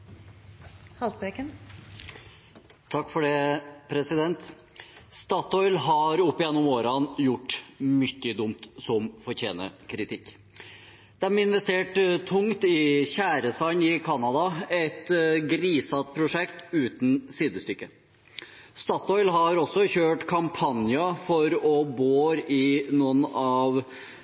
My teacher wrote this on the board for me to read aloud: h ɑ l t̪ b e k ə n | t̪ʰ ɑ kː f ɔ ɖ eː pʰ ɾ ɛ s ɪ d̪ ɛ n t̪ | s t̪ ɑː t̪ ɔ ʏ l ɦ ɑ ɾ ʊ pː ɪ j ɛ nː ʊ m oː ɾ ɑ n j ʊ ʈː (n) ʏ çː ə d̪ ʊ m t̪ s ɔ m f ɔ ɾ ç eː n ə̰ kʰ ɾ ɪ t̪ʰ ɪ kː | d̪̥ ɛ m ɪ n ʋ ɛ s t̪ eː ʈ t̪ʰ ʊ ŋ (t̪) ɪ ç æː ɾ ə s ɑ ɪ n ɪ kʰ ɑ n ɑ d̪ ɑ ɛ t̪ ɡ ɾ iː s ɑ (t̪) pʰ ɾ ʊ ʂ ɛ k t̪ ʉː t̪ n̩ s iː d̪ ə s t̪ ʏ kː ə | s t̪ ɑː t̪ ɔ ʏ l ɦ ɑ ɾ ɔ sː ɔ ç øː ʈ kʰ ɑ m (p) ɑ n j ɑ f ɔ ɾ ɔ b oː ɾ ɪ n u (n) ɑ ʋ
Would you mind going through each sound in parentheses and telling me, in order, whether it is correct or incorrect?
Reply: incorrect: m, correct, correct, incorrect: pʰ, correct

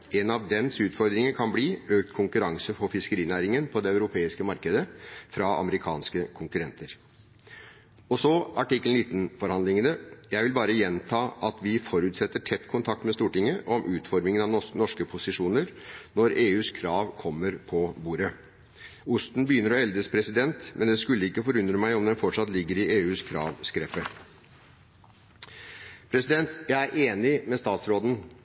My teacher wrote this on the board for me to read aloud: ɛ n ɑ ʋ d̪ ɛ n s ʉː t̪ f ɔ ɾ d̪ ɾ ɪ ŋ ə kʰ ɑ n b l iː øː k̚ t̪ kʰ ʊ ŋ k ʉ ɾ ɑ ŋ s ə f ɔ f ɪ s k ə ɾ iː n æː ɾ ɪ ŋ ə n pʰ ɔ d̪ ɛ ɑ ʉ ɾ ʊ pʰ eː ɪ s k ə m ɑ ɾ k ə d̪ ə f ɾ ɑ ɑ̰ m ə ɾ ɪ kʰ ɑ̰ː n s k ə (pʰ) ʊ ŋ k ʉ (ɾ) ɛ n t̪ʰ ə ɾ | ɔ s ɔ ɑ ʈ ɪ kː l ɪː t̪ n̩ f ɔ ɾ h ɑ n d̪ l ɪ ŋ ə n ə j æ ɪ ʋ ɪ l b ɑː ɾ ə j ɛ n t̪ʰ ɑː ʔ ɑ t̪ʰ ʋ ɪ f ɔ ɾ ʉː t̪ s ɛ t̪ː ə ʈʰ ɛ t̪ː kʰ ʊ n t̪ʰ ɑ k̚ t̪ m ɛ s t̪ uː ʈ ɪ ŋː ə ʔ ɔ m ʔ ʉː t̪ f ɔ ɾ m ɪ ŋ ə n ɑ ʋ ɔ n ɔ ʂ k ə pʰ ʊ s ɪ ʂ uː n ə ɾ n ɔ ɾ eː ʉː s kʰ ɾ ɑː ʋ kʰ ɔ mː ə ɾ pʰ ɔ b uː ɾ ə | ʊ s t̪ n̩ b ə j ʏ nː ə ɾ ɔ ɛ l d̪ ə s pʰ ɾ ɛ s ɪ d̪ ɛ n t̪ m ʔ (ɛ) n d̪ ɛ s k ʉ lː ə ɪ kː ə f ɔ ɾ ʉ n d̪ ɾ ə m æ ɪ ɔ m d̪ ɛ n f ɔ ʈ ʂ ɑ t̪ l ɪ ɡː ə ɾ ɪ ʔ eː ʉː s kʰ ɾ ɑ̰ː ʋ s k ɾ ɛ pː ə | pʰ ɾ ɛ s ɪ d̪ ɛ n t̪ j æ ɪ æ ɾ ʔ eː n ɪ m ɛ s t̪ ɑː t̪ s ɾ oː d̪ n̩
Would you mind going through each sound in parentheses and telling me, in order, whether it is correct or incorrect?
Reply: incorrect: kʰ, correct, correct

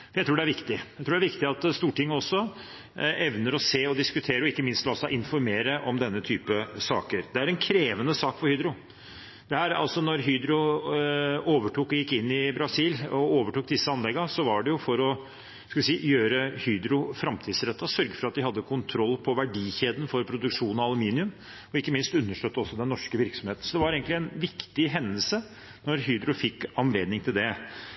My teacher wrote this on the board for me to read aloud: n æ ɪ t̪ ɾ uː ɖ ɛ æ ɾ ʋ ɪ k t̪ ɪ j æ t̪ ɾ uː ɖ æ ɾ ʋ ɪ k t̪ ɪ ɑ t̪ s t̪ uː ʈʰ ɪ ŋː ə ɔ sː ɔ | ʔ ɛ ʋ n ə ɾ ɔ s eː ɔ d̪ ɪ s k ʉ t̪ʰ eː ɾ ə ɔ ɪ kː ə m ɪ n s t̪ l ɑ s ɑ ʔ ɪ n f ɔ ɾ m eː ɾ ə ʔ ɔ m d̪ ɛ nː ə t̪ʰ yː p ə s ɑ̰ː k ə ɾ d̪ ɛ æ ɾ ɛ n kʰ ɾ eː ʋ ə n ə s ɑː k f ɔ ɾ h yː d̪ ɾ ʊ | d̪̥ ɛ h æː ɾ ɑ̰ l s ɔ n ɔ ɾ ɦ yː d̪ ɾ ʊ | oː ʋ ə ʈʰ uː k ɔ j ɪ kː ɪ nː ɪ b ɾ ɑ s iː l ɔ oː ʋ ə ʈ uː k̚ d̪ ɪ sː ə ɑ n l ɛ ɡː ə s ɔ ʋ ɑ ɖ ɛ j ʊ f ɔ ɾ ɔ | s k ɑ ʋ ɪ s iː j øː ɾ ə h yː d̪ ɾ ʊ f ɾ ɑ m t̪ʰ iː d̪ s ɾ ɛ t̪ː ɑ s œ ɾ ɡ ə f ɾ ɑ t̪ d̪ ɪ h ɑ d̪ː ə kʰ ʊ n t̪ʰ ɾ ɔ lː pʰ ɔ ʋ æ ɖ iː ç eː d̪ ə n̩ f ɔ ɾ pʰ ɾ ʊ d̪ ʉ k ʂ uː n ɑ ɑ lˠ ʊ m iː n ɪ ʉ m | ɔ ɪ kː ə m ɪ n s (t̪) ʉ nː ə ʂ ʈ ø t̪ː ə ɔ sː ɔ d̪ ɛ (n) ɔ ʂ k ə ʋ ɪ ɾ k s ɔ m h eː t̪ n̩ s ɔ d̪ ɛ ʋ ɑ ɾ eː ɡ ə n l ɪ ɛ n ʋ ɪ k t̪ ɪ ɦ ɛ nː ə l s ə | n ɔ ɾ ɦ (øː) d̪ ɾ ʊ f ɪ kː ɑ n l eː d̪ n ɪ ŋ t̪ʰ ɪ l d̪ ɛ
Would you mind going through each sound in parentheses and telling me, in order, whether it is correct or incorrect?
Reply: correct, incorrect: nː, incorrect: yː

